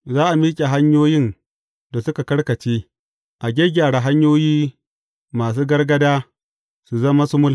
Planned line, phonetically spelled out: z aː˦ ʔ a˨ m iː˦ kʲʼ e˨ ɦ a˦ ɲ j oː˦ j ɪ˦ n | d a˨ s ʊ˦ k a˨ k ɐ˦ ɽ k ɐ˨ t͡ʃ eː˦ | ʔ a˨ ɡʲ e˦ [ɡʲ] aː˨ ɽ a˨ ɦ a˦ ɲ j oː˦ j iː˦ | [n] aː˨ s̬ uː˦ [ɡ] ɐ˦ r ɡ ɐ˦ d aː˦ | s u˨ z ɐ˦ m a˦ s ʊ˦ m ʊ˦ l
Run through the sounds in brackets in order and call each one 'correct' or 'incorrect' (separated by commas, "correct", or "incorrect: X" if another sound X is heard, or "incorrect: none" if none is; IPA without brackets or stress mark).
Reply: correct, incorrect: m, correct